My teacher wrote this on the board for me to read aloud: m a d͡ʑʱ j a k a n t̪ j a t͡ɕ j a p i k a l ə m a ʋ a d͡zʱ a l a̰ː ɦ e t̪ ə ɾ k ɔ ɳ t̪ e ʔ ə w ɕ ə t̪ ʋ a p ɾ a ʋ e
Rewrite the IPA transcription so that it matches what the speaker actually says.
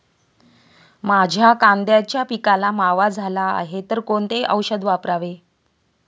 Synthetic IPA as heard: m a d͡ʑʱ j a k a n d̪ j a t͡ɕ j a p i k a l a m a ʋ a d͡zʱ a l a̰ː ɦ e t̪ ə ɾ k o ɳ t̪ e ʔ ə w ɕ ə d̪ ʋ a p ɾ a ʋ e